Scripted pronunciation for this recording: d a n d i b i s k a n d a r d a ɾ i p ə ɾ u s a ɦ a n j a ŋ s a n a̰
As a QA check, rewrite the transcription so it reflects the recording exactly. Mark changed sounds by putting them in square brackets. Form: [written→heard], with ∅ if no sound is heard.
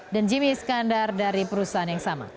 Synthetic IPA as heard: d a n [d→d͡ʒ] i [b→m] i s k a n d a r d a ɾ i p ə ɾ u s a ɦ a n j a ŋ s a [n→m] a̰

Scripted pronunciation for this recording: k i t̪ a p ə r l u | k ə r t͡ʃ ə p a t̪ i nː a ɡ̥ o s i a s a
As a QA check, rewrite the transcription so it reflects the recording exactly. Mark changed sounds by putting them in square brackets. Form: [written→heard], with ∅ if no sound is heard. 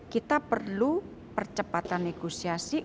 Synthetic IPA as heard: k i t̪ a p ə r l u | [k→p] ə r t͡ʃ ə p a t̪ [i→a] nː [a→e] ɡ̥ o s i a s [a→i]

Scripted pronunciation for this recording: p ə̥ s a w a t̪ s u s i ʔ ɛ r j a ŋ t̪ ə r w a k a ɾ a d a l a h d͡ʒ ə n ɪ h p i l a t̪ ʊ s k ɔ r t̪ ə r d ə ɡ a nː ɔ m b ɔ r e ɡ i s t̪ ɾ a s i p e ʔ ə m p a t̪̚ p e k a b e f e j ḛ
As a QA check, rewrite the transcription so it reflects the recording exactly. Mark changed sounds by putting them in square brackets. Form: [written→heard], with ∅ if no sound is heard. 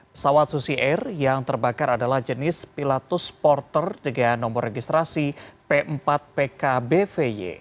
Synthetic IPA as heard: p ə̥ s a w a t̪ s u s i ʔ ɛ r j a ŋ t̪ ə r [w→b] a k a ɾ a d a l a h d͡ʒ ə n ɪ [h→s] p i l a t̪ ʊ s [k→p] ɔ r t̪ ə r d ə ɡ a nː ɔ m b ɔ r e ɡ i s t̪ ɾ a s i p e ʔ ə m p a t̪̚ p e k a b e f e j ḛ

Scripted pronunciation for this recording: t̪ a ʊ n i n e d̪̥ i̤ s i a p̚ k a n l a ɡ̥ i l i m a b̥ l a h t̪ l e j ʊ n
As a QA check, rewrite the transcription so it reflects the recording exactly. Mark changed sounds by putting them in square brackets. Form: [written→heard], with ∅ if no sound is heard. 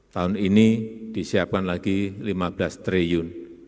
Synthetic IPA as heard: t̪ a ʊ n i n [e→i] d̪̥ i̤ s i a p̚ k a n l a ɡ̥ i l i m a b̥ l a [h→s] t̪ [l→ɾ] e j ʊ n

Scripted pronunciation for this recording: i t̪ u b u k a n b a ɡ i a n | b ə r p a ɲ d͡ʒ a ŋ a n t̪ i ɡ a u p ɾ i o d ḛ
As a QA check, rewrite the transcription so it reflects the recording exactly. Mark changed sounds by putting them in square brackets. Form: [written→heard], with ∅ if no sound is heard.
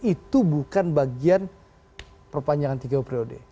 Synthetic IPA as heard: i t̪ u b u k a n b a ɡ i a n | [b→p] ə r p a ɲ d͡ʒ a ŋ a n t̪ i ɡ a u p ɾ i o d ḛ

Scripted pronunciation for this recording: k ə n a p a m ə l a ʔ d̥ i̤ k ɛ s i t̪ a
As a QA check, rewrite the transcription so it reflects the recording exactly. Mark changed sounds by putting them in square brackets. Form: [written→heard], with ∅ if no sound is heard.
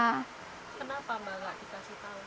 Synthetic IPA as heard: k ə n a p a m [ə→a] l a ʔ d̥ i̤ k [ɛ→a] s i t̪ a

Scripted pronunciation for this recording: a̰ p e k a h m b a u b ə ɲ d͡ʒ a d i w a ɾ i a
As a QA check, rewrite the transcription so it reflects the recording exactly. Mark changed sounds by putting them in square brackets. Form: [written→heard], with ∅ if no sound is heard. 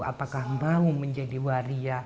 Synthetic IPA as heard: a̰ p [e→a] k a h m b a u [b→m] ə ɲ d͡ʒ a d i w a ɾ i a

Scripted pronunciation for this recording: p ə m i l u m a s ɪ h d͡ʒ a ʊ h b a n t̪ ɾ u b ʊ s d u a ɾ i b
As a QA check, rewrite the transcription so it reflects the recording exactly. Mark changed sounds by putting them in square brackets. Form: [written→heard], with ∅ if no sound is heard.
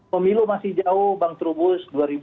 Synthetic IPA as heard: p ə m i l u m a s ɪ h d͡ʒ a ʊ h b a [n→ŋ] t̪ ɾ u b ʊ s d u a ɾ i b

